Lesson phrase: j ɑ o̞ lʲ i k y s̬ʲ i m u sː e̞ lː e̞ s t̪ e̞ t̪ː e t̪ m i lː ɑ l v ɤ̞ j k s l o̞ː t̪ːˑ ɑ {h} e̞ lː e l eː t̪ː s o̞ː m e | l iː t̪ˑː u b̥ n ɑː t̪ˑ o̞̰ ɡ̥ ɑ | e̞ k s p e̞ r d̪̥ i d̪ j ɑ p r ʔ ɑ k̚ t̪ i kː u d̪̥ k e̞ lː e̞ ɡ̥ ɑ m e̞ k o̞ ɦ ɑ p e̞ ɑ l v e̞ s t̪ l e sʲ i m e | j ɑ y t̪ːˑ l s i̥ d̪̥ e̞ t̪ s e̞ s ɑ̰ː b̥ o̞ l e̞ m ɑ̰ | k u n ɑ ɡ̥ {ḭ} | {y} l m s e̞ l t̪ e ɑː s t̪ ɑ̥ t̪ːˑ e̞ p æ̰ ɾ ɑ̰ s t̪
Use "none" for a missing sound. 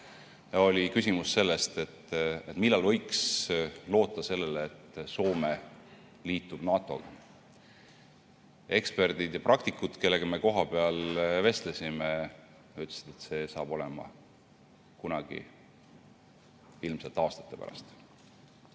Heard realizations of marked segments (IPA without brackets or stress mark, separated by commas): s, ḭ, i